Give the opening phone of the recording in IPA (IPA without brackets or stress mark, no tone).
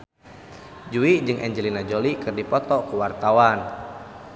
d͡ʒ